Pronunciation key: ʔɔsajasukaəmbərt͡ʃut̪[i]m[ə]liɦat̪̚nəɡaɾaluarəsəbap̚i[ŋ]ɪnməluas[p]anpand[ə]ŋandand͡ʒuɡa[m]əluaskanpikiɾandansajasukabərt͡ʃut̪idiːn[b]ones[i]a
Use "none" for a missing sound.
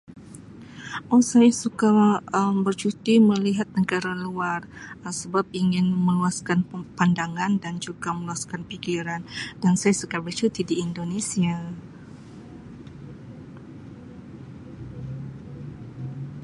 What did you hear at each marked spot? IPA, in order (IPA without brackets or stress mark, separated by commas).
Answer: i, ə, ŋ, k, a, m, d, i